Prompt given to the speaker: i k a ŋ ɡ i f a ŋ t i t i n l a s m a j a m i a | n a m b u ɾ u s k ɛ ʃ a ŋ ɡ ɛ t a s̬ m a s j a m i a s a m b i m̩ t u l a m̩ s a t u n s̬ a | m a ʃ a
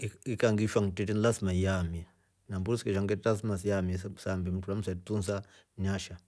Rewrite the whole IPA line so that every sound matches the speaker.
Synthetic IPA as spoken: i k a ŋ ɡ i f a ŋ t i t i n l a s m a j a m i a | n a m b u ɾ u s k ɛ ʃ a ŋ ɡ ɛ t a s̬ m a s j a m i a s a m b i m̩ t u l a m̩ s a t u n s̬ a | ɲ a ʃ a